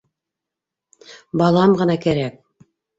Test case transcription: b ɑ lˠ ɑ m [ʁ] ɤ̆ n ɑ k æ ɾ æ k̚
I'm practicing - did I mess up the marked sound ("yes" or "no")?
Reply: no